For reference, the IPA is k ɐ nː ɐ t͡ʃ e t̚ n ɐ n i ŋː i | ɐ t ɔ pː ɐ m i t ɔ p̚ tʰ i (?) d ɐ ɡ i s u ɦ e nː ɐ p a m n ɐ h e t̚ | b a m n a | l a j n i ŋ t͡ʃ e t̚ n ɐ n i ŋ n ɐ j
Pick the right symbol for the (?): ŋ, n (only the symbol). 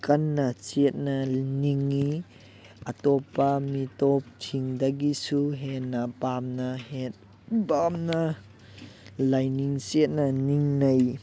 ŋ